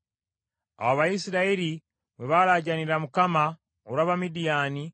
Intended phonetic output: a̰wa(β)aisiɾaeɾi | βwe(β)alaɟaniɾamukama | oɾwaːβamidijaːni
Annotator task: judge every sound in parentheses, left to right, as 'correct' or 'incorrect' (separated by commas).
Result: correct, correct